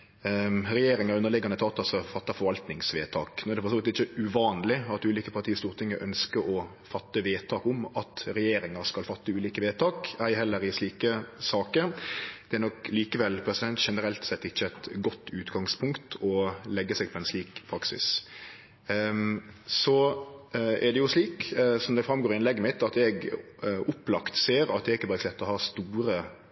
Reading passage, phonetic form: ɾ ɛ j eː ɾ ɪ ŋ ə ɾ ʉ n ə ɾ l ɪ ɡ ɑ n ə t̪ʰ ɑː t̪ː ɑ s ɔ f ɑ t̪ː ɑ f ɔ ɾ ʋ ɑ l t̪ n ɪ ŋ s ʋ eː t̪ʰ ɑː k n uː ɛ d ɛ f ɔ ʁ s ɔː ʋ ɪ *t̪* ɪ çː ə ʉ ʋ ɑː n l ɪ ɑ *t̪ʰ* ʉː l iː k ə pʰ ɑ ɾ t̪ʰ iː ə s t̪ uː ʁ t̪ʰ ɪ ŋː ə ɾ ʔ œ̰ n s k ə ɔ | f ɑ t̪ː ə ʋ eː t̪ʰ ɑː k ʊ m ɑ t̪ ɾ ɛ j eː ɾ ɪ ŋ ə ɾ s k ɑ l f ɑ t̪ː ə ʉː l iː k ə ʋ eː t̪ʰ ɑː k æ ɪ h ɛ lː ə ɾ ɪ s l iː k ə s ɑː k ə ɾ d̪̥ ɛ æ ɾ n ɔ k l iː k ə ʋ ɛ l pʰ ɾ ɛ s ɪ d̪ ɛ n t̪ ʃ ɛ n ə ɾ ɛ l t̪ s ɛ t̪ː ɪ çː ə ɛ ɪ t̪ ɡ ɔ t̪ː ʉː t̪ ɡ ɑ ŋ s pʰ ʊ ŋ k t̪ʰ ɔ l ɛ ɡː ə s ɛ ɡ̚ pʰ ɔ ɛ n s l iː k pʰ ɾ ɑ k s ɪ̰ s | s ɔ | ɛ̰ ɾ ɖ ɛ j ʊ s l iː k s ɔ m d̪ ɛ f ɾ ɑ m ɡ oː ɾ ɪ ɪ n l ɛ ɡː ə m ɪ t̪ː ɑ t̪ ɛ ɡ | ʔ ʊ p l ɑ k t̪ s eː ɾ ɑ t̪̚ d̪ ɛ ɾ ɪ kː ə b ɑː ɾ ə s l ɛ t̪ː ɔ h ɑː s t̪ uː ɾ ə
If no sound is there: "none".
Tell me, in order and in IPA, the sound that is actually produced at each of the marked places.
t̪, t̪

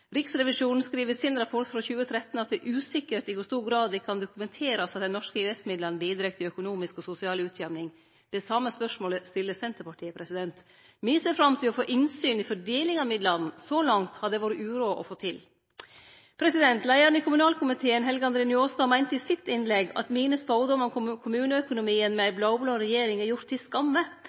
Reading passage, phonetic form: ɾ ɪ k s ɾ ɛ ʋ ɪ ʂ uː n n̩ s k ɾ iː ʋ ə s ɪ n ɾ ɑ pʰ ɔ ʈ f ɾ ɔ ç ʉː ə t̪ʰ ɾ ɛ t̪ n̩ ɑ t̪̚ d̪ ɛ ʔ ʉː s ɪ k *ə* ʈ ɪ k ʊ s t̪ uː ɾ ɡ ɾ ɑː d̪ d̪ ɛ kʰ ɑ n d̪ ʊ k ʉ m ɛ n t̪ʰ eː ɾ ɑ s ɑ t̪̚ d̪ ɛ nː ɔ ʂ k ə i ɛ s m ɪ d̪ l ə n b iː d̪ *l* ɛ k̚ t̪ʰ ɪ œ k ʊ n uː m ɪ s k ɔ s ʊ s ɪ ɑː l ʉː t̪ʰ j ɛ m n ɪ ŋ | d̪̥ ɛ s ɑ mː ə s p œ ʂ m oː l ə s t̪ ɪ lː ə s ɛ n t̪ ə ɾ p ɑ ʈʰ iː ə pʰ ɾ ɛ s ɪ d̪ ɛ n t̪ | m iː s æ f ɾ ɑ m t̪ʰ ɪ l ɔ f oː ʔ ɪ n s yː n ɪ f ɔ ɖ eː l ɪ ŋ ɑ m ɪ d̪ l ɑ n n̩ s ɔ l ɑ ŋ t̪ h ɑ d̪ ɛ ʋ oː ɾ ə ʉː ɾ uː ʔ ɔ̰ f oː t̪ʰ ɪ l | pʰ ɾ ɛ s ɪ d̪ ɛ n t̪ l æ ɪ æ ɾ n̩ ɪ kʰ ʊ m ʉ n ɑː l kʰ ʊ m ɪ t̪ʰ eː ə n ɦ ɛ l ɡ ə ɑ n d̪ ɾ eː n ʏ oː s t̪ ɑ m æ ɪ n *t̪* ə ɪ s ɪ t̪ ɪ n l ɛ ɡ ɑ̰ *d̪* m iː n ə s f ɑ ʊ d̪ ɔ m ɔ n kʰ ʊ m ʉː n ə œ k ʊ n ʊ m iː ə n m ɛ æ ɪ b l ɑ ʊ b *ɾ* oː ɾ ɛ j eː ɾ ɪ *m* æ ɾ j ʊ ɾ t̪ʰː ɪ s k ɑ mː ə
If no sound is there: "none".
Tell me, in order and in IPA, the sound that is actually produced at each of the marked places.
ə, ɾ, t̪, t̪, l, ŋ

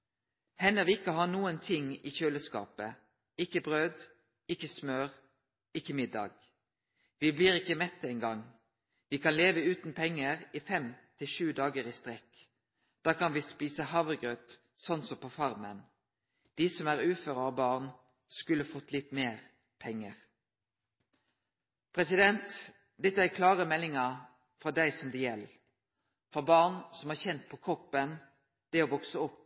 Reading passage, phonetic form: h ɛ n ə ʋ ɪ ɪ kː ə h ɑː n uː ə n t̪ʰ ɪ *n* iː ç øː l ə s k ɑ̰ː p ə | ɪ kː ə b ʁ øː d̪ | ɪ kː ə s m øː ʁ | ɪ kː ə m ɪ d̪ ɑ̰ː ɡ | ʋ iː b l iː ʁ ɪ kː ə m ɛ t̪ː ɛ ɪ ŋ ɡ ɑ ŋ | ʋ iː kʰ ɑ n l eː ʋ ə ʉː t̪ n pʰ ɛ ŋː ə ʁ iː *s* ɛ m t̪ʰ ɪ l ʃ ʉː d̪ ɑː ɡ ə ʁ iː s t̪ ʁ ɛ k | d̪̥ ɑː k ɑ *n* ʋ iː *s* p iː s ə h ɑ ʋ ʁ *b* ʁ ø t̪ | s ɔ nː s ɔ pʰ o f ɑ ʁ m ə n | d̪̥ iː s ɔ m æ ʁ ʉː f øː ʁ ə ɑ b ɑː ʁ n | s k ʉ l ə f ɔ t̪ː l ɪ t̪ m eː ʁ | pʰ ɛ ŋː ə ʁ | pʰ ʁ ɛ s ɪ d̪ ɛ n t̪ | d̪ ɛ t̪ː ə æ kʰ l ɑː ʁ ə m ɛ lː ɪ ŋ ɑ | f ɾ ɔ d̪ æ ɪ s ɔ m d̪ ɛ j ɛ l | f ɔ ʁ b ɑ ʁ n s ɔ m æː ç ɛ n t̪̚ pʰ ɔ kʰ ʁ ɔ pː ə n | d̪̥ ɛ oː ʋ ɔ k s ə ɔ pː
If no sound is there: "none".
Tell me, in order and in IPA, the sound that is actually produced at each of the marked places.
ŋ, f, n, s, ɡ

